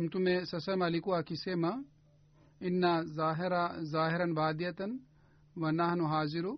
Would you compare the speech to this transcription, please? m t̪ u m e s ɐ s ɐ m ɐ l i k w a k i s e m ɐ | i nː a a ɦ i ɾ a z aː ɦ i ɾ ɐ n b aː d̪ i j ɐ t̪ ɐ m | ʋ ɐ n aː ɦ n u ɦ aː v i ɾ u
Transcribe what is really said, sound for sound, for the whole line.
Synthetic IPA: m t̪ u m e s ɐ s ɐ m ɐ l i k u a k i s e m ɐ | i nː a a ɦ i ɾ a z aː ɦ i ɾ ɐ n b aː d̪ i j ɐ t̪ ɐ n | ʋ ɐ n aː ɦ n u ɦ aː z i ɾ u